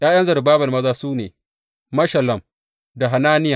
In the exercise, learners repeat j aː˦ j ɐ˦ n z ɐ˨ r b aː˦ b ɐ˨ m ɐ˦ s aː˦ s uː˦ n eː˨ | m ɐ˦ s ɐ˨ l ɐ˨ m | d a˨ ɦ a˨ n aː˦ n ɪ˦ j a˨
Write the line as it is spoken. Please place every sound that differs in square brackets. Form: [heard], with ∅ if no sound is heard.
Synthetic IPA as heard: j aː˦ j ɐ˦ n z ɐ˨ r b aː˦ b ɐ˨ m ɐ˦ [z] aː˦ s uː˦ n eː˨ | m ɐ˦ [ʃ] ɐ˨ l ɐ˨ m | d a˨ ɦ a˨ n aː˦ n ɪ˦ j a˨